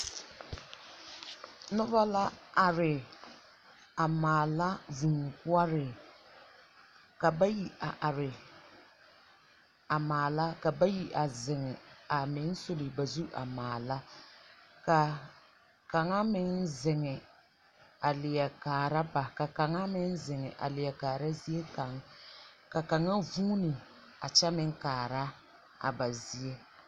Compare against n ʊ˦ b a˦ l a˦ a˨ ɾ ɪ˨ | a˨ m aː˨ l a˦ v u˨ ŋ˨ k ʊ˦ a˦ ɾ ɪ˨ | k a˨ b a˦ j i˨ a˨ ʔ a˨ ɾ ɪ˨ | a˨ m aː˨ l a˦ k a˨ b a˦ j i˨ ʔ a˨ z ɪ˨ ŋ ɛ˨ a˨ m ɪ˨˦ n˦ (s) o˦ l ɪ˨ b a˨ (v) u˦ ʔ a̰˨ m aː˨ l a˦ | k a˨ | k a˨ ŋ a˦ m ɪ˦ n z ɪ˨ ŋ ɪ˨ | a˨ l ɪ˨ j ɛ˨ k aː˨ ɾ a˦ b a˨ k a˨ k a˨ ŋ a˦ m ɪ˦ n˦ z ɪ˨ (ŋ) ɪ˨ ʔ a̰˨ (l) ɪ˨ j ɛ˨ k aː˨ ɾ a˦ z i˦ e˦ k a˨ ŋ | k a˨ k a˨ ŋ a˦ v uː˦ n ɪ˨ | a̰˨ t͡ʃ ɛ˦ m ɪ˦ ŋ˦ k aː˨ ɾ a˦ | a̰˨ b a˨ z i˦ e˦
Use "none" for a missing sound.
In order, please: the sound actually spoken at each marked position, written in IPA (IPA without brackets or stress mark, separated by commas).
s, z, ŋ, l